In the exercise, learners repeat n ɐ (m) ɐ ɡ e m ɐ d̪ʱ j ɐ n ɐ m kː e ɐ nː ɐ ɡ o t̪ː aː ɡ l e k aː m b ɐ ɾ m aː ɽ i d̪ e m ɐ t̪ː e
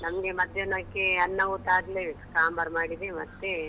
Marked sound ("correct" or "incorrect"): correct